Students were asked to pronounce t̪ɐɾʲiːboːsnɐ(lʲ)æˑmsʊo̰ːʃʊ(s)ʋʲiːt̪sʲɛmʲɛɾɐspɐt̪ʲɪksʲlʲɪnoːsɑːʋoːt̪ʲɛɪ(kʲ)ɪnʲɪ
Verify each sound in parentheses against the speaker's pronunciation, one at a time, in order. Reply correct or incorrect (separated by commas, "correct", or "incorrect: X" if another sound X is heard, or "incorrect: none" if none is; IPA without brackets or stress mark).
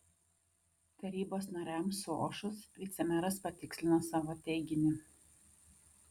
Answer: incorrect: ɾʲ, correct, incorrect: ɡʲ